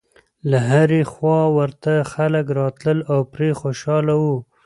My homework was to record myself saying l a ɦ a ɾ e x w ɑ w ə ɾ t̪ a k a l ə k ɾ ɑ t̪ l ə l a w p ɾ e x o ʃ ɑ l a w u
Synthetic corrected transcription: l a ɦ a ɾ e x w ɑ w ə ɾ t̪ a x a l ə k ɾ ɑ t̪ l ə l a w p ɾ e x o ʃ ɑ l a w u